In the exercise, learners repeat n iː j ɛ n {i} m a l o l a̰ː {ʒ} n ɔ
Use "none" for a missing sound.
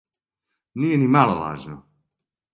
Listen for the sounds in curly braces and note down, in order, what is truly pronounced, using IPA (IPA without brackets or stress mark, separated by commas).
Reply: i, ʒ